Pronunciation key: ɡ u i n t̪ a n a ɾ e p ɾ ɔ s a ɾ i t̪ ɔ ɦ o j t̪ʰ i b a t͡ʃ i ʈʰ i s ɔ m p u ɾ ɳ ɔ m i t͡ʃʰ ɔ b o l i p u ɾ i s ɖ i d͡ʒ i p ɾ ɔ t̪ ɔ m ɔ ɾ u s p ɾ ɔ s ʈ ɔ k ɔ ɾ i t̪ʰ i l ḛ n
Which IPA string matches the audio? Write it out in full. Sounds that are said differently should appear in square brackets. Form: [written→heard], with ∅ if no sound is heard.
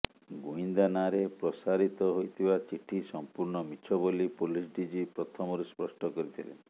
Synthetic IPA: ɡ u i n [t̪→d̪] a n a ɾ e p ɾ ɔ s a ɾ i t̪ ɔ ɦ o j t̪ʰ i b a t͡ʃ i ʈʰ i s ɔ m p u ɾ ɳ ɔ m i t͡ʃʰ ɔ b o l i p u [ɾ→l] i s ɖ i d͡ʒ i p ɾ ɔ [t̪→t̪ʰ] ɔ m ɔ ɾ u s p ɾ ɔ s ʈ ɔ k ɔ ɾ i t̪ʰ i l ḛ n